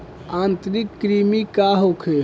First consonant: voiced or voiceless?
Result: voiced